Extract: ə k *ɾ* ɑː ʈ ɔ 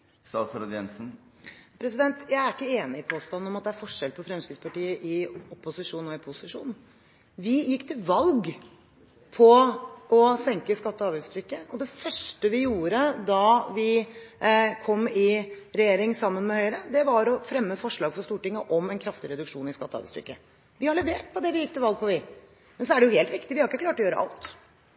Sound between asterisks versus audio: incorrect: l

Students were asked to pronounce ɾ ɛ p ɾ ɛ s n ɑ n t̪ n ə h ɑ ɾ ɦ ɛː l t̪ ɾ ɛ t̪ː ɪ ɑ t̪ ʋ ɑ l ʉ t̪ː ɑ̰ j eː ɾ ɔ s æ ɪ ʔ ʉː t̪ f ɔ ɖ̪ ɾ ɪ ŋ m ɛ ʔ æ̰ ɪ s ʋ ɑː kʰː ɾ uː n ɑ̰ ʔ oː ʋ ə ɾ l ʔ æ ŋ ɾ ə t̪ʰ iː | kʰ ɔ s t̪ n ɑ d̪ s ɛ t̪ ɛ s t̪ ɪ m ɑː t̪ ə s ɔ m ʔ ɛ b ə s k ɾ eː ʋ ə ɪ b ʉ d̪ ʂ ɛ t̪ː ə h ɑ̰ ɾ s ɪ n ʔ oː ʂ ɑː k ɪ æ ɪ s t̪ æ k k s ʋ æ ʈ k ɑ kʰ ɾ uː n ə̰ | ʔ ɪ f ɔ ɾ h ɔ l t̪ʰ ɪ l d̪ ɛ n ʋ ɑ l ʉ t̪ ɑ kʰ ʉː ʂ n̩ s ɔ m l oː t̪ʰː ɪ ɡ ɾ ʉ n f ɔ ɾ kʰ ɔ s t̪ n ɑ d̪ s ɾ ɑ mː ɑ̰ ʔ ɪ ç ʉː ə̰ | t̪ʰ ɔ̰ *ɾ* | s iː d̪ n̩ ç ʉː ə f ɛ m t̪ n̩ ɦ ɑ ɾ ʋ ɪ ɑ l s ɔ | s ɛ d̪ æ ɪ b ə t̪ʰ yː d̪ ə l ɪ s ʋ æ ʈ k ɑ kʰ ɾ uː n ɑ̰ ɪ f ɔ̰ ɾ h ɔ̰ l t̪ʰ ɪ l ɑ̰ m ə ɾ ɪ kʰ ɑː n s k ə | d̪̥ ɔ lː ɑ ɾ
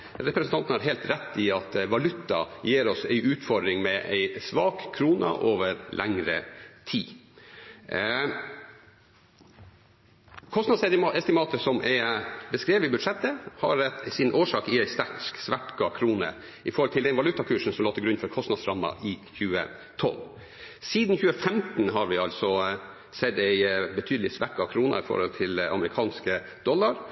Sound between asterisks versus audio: incorrect: l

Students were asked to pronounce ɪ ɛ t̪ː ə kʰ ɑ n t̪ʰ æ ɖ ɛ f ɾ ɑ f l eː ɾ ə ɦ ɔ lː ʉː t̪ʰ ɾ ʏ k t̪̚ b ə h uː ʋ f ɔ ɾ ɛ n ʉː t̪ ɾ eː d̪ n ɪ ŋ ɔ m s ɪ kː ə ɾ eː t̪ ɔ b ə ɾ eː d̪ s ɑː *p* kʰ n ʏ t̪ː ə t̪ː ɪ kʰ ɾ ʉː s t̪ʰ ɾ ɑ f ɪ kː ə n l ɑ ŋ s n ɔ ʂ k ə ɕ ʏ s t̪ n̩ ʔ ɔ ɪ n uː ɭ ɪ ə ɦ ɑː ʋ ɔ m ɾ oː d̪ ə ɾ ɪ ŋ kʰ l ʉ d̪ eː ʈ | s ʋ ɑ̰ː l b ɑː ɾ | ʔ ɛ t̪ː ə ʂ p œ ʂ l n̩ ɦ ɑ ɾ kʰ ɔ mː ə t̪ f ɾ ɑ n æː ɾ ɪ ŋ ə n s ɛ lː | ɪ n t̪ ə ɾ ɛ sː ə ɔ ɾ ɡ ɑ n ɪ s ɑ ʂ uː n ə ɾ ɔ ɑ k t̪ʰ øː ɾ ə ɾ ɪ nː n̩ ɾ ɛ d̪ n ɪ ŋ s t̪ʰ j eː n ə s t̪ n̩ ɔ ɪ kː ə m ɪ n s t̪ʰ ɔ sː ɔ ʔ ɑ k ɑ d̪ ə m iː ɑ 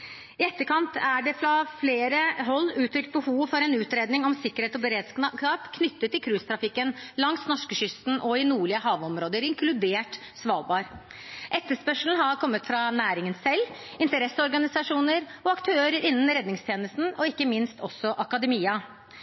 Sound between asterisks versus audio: correct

